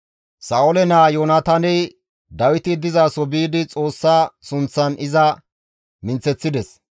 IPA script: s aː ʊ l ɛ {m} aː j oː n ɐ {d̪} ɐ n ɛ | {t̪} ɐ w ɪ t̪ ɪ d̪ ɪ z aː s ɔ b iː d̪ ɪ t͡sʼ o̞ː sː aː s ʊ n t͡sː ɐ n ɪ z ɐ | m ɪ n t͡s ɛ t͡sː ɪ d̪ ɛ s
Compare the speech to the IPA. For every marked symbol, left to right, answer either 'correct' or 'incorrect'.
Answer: incorrect, incorrect, incorrect

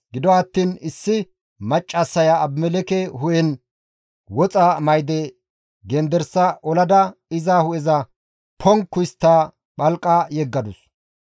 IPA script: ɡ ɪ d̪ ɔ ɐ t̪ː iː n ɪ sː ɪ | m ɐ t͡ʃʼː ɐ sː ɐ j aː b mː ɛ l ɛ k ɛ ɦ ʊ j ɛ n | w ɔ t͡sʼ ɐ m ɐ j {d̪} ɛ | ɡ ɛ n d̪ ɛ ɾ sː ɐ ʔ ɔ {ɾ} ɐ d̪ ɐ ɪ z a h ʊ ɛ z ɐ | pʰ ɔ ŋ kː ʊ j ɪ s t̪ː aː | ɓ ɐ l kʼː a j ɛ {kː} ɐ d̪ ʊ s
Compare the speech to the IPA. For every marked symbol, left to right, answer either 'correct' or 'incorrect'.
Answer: correct, incorrect, incorrect

